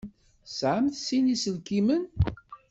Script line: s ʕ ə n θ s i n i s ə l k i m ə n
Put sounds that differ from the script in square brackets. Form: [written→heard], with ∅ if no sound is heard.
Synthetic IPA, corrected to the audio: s ʕ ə [n→m] θ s i n i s ə l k i m ə n

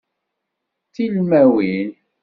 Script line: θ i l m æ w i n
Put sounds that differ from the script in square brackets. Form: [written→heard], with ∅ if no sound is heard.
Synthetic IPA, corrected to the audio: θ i l m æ w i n

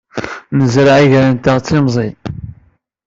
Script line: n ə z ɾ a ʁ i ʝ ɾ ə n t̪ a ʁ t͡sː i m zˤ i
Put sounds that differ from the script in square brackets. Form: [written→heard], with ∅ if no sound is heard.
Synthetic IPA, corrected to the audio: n ə z ɾ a [ʁ→ʕ] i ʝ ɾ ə n t̪ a ʁ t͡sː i m zˤ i

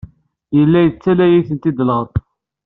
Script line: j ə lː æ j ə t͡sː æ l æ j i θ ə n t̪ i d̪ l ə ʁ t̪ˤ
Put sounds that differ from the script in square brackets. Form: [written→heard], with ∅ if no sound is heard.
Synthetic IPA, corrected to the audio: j ə lː æ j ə t͡sː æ l æ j i θ ə n t̪ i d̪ l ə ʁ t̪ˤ

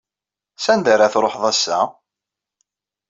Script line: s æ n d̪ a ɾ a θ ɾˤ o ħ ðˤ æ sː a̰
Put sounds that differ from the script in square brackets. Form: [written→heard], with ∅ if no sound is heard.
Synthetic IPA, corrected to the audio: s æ n d̪ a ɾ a θ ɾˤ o ħ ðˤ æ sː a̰

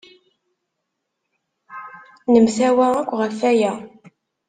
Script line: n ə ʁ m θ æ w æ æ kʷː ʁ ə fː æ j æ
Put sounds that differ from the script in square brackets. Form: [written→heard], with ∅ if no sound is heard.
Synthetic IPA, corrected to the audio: n ə [ʁ→∅] m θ æ w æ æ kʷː ʁ ə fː æ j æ

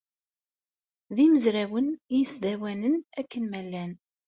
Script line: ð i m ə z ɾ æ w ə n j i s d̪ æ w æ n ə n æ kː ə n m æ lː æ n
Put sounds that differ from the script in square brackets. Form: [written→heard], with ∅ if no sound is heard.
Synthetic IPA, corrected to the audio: ð i m ə z ɾ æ w ə n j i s d̪ æ w æ n ə n æ kː ə n m æ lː æ n

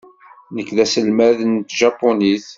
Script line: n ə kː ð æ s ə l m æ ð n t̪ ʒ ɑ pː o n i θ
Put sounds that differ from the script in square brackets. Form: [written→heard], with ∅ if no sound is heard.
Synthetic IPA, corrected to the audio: n ə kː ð æ s ə l m æ ð n t̪ ʒ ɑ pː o n i θ

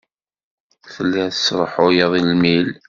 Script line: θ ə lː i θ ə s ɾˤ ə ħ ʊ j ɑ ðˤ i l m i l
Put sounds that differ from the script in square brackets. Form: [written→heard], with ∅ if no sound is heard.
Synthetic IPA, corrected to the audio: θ ə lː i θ ə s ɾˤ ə ħ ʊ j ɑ ðˤ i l m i l

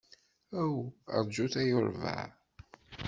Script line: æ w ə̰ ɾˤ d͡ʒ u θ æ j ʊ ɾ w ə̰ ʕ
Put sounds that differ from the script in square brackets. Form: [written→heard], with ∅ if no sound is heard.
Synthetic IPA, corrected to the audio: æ w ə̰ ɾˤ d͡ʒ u θ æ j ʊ ɾ [w→v] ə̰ ʕ

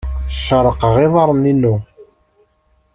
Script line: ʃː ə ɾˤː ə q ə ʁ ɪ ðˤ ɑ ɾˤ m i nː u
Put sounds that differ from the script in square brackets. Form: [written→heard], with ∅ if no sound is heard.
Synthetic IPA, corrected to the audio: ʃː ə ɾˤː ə q ə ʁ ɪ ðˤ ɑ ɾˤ [m→n] i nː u

